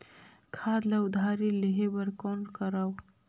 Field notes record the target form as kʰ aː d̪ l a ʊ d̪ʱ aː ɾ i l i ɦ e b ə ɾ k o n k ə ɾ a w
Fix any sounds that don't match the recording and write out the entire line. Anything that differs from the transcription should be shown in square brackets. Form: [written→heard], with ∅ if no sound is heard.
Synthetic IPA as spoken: kʰ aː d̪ l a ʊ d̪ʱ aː ɾ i l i ɦ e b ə ɾ k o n k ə ɾ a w